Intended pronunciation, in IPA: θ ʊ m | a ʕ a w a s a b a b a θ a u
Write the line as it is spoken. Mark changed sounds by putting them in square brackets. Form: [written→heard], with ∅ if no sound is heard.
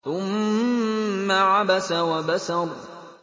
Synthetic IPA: θ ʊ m | a ʕ a [w→b] a s a [b→w] a b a [θ→s] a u

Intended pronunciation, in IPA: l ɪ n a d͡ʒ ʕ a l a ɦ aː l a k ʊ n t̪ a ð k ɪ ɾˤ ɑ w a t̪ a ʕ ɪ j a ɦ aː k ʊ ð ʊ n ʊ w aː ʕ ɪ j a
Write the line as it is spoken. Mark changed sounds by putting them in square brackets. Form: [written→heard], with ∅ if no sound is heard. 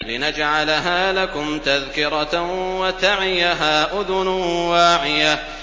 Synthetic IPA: l ɪ n a d͡ʒ ʕ a l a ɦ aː l a k ʊ [n→m] t̪ a ð k ɪ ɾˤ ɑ w a t̪ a ʕ ɪ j a ɦ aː [k→ʔ] ʊ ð ʊ n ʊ w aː ʕ ɪ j a

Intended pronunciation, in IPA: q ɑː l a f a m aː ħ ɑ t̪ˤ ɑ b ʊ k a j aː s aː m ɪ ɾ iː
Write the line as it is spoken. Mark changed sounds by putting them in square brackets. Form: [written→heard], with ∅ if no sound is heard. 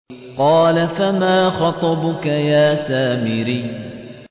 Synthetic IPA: q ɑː l a f a m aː [ħ→x] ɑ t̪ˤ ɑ b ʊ k a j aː s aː m ɪ ɾ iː

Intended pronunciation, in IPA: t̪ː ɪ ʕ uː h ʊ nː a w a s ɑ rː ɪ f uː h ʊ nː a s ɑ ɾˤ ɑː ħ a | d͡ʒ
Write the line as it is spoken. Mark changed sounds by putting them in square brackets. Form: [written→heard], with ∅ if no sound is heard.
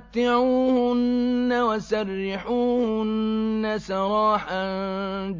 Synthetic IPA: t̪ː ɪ ʕ uː h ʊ nː a w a s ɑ rː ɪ [f→ħ] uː h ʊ nː a s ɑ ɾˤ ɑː ħ a | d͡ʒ

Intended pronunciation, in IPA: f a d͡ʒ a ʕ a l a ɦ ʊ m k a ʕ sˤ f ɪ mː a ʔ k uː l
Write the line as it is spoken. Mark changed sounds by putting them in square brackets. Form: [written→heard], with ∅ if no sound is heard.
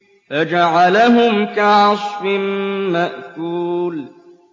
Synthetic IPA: f a d͡ʒ a ʕ a l a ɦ ʊ m k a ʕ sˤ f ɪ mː a ʔ k uː l

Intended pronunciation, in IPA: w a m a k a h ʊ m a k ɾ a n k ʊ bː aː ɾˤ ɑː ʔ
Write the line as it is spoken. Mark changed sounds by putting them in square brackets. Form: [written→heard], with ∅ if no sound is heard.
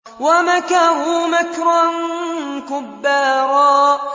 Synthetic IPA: w a m a k a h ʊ m a k ɾ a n k ʊ bː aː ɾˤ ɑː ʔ

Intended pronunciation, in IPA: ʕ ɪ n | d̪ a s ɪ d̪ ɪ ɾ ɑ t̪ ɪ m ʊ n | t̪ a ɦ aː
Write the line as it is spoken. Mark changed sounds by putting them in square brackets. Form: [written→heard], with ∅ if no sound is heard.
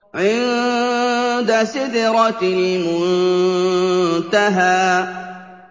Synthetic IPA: ʕ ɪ n | d̪ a s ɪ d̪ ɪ ɾ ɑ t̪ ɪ m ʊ n | t̪ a ɦ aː

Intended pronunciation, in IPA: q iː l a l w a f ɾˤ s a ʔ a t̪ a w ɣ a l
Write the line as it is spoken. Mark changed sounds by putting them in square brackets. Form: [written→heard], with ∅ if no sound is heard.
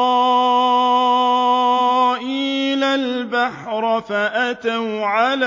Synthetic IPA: [q→ʔ] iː l a l [w→b] a [f→ħ] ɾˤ [s→f] a ʔ a t̪ a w [ɣ→ʕ] a l

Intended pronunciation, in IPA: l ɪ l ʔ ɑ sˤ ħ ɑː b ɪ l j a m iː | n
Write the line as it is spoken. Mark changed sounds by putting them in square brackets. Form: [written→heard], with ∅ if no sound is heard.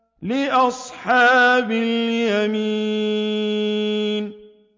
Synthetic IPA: l ɪ [l→∅] ʔ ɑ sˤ ħ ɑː b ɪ l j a m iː | n

